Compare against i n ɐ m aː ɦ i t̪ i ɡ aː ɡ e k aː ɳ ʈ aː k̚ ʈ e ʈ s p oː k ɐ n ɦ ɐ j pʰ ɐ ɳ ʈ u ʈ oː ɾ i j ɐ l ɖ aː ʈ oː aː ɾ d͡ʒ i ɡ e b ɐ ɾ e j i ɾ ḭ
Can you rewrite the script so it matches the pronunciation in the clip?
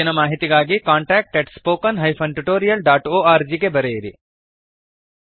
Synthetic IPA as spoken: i n ɐ m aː ɦ i t̪ i ɡ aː ɡ i k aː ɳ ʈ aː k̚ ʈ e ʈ s p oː k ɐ n ɦ ɐ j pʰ ɐ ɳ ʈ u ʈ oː ɾ i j ɐ l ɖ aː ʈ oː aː ɾ d͡ʒ i ɡ e b ɐ ɾ e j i ɾ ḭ

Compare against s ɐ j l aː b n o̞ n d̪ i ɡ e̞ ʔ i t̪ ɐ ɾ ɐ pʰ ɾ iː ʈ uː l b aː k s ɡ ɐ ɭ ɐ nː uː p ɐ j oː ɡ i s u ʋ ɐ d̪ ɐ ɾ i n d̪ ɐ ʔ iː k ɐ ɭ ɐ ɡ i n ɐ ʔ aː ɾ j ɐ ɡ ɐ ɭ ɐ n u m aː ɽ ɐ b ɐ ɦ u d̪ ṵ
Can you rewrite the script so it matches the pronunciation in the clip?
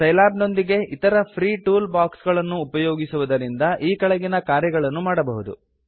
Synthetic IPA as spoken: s ɐ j l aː b n o̞ n d̪ i ɡ e̞ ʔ i t̪ ɐ ɾ ɐ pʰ ɾ iː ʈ uː l b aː k s ɡ ɐ ɭ ɐ nː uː p ɐ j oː ɡ i s u ʋ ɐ d̪ ɐ ɾ i n d̪ ɐ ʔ iː k ɐ ɭ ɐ ɡ i n ɐ k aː ɾ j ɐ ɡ ɐ ɭ ɐ nː u m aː ɽ ɐ b ɐ ɦ u d̪ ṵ

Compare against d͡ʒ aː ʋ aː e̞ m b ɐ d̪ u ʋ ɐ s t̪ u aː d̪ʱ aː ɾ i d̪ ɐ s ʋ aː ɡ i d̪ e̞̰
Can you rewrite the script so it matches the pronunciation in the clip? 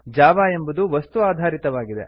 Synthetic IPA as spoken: d͡ʒ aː ʋ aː e̞ m b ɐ d̪ u ʋ ɐ s t̪ u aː d̪ʱ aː ɾ i t̪ ɐ ʋ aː ɡ i d̪ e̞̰

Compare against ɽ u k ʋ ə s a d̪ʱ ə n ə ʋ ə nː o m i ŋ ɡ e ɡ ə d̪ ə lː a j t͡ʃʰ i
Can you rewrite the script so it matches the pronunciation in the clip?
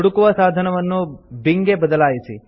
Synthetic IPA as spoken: ɽ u k ʋ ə s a d̪ʱ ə n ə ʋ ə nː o b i ŋ ɡ e b ə d̪ ə l a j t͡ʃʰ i

